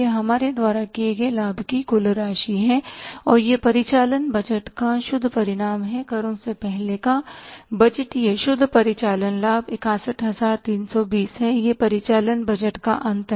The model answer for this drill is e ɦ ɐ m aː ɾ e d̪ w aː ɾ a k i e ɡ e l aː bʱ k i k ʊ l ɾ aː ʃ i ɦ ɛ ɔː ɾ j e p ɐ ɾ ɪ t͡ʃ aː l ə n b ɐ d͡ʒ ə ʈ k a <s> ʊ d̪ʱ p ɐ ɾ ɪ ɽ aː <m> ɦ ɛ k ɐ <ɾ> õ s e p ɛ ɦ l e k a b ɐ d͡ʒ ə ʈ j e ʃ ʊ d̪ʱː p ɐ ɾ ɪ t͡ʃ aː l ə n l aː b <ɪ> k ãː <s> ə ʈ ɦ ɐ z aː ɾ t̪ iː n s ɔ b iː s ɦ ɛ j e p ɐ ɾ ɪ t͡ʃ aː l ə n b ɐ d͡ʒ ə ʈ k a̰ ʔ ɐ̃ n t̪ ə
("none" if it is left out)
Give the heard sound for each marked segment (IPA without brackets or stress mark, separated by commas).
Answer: ʃ, m, ɾ, ɪ, s